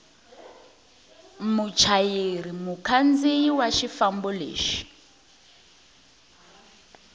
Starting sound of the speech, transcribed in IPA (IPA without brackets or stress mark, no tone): m